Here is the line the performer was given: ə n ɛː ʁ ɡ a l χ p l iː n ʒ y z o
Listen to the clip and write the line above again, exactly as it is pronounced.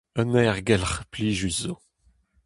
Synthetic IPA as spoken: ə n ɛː ʁ ɡ ɛ l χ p l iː ʒ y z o

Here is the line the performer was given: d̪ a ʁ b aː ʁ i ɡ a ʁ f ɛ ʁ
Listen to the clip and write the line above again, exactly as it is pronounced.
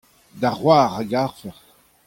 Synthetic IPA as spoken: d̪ a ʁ w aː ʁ a ɡ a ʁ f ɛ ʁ

